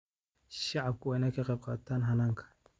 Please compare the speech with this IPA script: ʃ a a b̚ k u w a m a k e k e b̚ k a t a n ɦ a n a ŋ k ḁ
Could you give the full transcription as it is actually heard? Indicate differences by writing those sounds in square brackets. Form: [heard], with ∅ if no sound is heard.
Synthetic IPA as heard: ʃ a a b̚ k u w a [n] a k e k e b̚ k a t a n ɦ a n a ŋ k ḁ

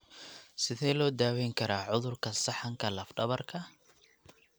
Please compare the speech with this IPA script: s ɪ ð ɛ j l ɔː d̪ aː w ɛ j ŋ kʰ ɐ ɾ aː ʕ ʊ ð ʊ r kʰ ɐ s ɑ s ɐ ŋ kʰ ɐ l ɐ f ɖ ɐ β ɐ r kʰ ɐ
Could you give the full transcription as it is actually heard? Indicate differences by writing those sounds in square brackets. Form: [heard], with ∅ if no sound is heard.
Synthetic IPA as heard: s ɪ ð ɛ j l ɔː d̪ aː w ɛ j ŋ kʰ ɐ ɾ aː ʕ ʊ ð ʊ r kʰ ɐ s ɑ [ħ] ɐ ŋ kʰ ɐ l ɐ f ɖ ɐ β ɐ r kʰ ɐ

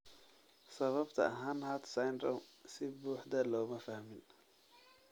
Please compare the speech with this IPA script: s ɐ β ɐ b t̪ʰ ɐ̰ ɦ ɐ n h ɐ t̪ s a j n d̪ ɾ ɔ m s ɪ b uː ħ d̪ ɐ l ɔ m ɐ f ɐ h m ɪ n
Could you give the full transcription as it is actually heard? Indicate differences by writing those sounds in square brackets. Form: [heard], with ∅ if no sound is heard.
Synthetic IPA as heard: s ɐ β ɐ b t̪ʰ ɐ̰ ɦ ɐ n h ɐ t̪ s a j n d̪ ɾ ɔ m s ɪ b uː ħ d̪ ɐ l [ɔː] m ɐ f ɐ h m ɪ n

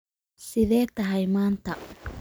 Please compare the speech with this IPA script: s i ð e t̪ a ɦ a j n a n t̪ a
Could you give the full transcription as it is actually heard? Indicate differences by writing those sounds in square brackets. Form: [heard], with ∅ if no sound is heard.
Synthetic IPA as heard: s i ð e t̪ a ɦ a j [m] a n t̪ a

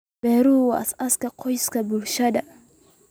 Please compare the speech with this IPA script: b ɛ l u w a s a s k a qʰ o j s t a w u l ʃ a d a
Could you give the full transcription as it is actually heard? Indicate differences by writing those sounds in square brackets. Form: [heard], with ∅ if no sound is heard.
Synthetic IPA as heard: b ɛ [ɾ] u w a s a s k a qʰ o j s [k] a [b] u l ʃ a d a

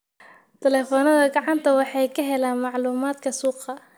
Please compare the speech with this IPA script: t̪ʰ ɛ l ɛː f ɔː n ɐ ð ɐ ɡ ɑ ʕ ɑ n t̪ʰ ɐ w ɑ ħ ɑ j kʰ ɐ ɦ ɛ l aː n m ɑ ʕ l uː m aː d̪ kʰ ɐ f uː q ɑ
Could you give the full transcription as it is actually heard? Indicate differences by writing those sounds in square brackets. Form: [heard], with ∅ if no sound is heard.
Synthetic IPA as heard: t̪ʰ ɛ l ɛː f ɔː n ɐ ð ɐ ɡ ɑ ʕ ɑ n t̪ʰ ɐ w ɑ ħ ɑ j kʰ ɐ ɦ ɛ l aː n m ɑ ʕ l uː m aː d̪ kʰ ɐ [s] uː q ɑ

